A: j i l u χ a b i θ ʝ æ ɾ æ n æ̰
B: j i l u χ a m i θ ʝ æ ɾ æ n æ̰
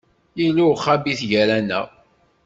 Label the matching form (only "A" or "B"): A